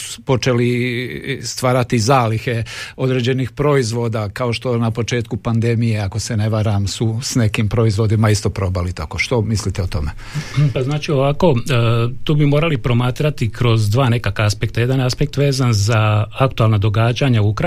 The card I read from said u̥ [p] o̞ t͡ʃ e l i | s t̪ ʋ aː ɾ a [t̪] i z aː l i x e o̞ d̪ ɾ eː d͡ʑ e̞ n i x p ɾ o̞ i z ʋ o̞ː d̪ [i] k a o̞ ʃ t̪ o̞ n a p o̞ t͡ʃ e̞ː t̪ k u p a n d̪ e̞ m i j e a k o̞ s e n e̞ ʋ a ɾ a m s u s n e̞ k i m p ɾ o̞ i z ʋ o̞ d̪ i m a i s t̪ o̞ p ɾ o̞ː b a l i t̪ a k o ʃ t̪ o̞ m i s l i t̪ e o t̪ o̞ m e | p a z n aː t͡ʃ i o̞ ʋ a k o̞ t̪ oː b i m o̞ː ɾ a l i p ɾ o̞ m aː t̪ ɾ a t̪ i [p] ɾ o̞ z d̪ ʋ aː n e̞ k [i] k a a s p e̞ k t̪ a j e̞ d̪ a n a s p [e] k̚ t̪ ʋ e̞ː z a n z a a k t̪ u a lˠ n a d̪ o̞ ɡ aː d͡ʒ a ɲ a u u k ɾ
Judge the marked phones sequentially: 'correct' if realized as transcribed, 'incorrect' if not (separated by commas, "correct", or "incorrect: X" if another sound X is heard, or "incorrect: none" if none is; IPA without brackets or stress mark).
correct, correct, incorrect: a, incorrect: k, incorrect: a, correct